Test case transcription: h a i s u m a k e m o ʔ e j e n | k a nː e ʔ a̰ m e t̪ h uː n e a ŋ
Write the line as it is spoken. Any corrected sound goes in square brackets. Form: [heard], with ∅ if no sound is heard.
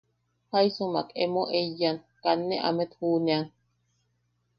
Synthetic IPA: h a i s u m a k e m o ʔ e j [a] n | k a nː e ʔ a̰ m e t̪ h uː n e a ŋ